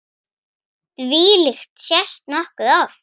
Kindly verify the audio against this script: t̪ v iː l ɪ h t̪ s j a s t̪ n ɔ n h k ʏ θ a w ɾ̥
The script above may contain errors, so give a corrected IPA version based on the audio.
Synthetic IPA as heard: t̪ v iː l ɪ x t̪ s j ɛ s t̪ n ɔ h k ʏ ð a w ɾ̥